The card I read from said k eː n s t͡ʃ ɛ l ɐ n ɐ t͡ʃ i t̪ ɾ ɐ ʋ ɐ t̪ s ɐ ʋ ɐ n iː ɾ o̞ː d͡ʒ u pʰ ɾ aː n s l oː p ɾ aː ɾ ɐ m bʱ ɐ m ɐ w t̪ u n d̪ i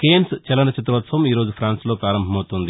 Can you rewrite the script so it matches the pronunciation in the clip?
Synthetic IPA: k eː n s t͡ʃ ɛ l ɐ n ɐ t͡ʃ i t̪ ɾ ɐ ʋ ɐ t̪ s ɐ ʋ ɐ m iː ɾ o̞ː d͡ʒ u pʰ ɾ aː n s l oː p ɾ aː ɾ ɐ m bʱ ɐ m ɐ w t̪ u n d̪ i